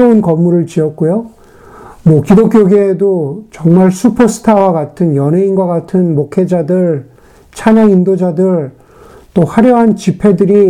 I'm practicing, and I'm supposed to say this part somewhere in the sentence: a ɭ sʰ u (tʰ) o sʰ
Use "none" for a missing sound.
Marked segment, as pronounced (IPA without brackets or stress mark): pʰ